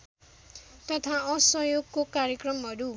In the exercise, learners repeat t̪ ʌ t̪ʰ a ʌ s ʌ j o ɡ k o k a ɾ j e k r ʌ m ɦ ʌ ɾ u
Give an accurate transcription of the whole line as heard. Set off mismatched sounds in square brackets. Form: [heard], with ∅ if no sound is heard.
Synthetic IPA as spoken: t̪ ʌ t̪ʰ a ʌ s ʌ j o ɡ k o k a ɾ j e k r ʌ m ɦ ʌ ɾ u